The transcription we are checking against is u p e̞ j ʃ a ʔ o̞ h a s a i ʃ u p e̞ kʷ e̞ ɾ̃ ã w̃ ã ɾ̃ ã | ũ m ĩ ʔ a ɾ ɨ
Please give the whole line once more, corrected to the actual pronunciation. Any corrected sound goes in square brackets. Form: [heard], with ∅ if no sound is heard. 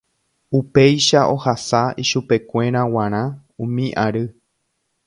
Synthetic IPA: u p e̞ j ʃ a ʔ o̞ h a s a i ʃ u p e̞ kʷ e̞ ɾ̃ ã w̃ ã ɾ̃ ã | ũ m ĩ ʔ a ɾ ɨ